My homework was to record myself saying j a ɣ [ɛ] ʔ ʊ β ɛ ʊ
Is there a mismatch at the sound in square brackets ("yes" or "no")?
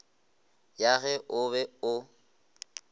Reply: no